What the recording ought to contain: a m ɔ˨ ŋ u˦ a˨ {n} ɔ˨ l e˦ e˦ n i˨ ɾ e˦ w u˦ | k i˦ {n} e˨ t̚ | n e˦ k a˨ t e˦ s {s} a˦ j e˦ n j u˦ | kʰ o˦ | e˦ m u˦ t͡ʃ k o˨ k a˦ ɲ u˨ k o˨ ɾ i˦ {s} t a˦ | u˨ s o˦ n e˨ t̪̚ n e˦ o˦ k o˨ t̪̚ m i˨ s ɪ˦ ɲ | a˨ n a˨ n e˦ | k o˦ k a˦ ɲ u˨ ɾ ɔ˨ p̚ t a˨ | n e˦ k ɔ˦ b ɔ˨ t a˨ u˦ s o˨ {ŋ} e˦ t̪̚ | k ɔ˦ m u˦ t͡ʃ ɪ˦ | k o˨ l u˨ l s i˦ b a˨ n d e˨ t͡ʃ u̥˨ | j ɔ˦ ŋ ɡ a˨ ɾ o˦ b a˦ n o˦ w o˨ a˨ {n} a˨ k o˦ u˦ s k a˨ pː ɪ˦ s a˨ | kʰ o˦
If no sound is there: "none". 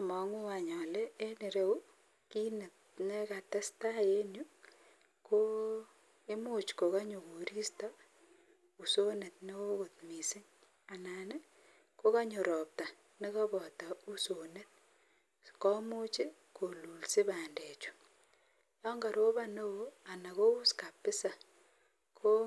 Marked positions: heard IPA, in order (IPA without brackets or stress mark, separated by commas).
ɲ, n, t, s, n, n